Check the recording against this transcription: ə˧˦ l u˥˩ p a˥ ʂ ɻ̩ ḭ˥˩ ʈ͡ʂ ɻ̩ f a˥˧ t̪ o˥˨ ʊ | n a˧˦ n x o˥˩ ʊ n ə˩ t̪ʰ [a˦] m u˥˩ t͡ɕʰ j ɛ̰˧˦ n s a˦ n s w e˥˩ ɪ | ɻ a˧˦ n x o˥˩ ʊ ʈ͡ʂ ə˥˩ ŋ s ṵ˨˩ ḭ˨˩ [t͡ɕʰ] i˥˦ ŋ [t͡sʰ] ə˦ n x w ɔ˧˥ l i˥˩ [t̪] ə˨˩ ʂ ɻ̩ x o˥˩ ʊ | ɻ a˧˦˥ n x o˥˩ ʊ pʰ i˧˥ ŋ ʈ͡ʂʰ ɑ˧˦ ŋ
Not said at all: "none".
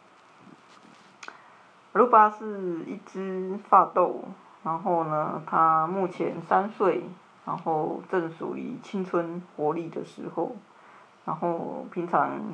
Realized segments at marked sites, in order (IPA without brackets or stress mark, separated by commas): a˦, t͡ɕʰ, t͡sʰ, d̪